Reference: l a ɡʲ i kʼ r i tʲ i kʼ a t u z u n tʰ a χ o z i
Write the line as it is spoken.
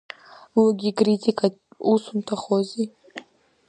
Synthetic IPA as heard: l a ɡʲ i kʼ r i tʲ i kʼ a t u s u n tʰ a χ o z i

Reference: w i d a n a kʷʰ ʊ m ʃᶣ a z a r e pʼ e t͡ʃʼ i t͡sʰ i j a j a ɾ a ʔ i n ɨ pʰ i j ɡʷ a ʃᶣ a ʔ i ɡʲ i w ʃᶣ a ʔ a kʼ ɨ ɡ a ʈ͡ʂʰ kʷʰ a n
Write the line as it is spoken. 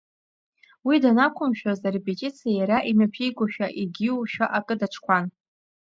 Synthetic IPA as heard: w i d a n a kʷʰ ʊ m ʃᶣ a z a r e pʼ e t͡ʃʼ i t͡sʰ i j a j a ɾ a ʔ i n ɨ pʰ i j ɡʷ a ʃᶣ a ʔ i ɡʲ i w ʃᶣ a ʔ a kʼ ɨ d a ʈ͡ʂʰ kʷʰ a n

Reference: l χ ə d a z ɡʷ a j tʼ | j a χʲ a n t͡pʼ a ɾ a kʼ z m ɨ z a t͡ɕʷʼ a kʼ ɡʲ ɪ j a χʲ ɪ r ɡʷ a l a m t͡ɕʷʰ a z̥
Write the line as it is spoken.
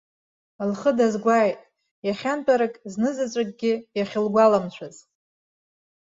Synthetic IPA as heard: l χ ə d a z ɡʷ a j tʼ | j a χʲ a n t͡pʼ a ɾ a kʼ z n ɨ z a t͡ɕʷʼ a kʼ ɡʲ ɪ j a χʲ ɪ l ɡʷ a l a m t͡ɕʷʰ a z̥

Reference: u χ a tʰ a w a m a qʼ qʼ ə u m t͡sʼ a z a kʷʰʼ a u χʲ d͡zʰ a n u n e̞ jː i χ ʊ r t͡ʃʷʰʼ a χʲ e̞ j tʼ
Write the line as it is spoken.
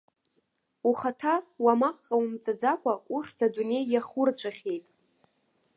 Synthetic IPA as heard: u χ a tʰ a w a m a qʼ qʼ a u m t͡sʼ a d͡z a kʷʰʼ a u χʲ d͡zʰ a d u n e̞ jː a χ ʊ r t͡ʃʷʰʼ a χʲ e̞ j tʼ

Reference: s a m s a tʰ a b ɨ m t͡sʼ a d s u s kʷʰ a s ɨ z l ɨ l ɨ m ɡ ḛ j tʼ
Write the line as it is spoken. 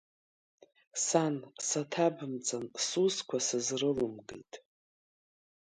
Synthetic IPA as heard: s a n s a tʰ a b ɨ m t͡sʼ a n s u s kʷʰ a s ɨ z r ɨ l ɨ m ɡ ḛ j tʼ

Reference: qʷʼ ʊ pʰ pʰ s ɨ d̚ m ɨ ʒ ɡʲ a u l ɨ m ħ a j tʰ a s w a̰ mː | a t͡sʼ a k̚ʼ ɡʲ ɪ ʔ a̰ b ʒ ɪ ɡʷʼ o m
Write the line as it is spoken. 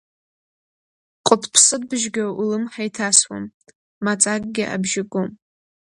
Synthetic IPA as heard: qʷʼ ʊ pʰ pʰ s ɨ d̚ b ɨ ʒ ɡʲ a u l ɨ m ħ a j tʰ a s w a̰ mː | a t͡sʼ a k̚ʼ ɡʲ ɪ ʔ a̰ b ʒ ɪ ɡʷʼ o m

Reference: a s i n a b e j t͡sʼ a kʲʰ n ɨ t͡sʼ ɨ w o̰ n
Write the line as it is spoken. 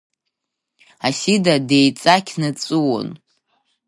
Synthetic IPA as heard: a s i d a d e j t͡sʼ a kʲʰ n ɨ t͡sʼ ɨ w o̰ n

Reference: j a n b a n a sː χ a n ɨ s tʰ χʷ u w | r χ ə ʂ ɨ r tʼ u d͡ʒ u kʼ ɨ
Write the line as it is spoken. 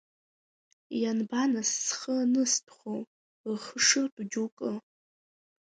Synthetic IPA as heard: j a n b a n a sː χ ə n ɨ s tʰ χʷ o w | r χ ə ʂ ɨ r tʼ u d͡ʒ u kʼ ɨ

